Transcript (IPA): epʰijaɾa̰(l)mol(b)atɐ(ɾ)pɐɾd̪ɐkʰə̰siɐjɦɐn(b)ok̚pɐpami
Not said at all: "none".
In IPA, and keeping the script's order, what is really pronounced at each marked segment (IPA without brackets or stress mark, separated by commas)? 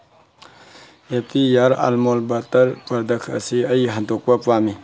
l, b, ɾ, d